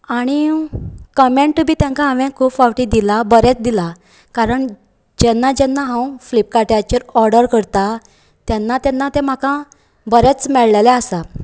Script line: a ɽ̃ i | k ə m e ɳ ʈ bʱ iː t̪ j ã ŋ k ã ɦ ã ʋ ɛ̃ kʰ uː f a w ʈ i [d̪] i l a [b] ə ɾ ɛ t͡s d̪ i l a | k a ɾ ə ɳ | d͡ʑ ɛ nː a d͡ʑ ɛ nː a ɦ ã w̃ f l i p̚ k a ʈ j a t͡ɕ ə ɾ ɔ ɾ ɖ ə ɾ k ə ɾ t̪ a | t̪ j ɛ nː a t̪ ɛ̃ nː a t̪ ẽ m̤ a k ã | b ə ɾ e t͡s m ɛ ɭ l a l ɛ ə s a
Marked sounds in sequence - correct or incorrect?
correct, correct

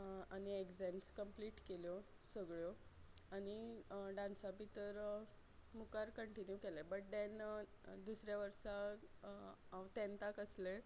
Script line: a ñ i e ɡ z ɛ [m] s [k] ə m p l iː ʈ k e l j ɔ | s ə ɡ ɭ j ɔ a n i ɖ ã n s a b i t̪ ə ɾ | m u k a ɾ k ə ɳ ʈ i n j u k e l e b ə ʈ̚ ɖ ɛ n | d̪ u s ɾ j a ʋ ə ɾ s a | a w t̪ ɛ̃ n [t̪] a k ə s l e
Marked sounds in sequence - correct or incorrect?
correct, correct, correct

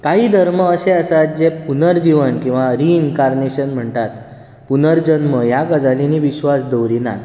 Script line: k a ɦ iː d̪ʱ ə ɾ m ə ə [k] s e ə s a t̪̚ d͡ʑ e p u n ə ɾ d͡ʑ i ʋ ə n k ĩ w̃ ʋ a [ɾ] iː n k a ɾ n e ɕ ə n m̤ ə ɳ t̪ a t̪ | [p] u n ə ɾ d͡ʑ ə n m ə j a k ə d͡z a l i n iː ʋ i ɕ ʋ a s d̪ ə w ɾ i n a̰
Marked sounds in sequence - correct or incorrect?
incorrect: none, correct, correct

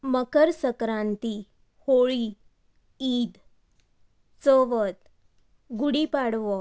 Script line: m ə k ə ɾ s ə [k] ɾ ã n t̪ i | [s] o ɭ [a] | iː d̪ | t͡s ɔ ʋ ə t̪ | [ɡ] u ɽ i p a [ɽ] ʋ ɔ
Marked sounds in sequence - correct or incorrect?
correct, incorrect: h, incorrect: i, correct, correct

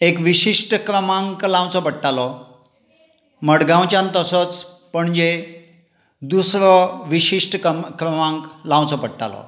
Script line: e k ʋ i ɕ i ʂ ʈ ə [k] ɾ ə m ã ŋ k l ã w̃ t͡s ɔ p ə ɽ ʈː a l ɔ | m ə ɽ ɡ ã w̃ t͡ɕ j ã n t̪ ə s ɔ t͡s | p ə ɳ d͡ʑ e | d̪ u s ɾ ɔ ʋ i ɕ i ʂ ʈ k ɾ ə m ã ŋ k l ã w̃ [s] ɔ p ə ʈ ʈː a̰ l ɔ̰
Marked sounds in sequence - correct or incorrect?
correct, incorrect: t͡s

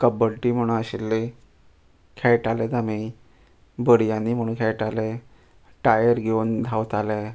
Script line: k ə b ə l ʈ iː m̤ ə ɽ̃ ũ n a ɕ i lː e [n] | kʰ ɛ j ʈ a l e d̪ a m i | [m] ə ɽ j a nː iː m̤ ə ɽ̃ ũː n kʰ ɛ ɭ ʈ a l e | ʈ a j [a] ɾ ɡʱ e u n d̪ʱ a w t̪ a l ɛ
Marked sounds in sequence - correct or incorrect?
incorrect: none, incorrect: b, incorrect: ə

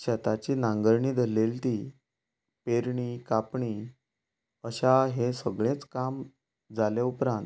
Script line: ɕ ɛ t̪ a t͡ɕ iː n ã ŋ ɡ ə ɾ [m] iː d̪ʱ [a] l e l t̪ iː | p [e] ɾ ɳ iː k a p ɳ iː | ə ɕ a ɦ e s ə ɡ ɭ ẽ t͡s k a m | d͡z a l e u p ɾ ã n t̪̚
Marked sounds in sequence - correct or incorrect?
incorrect: ɳ, incorrect: ə, correct

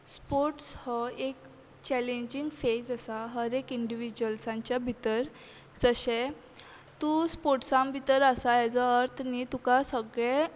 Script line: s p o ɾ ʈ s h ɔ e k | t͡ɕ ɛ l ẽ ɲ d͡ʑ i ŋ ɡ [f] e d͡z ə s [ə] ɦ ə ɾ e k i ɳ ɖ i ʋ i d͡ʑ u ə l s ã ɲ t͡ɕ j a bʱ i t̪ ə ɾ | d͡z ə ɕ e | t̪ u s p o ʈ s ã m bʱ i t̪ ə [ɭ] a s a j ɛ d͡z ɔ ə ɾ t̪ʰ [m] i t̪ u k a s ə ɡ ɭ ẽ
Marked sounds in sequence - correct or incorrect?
correct, incorrect: a, incorrect: ɾ, incorrect: n

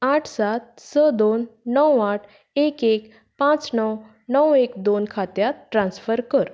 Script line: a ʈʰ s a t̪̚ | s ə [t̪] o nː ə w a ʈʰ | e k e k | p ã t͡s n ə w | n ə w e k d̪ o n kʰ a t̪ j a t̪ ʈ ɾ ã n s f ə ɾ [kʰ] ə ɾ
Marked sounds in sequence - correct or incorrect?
incorrect: d̪, incorrect: k

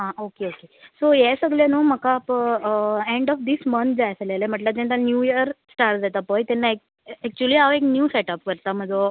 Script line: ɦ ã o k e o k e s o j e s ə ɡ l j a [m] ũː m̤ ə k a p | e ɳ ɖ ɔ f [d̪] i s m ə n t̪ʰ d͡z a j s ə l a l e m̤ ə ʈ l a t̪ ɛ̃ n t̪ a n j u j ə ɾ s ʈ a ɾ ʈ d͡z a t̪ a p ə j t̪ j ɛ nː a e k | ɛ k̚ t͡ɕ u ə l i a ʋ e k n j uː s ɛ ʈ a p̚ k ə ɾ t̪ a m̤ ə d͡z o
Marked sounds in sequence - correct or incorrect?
incorrect: n, correct

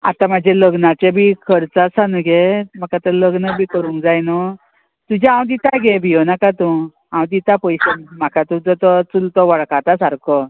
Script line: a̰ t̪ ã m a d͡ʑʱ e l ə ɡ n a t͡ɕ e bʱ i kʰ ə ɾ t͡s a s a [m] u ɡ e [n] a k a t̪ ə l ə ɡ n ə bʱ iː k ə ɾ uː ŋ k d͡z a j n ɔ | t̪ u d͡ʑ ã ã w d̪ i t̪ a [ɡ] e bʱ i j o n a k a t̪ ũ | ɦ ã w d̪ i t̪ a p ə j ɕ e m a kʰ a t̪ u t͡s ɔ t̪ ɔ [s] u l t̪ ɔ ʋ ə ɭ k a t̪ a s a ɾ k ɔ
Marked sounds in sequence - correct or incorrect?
incorrect: n, incorrect: m, correct, incorrect: t͡s

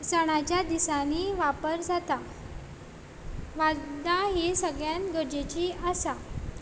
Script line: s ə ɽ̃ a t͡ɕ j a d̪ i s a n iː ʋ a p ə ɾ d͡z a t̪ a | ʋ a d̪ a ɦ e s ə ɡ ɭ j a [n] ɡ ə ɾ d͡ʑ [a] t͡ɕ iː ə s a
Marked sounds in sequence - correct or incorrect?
correct, incorrect: e

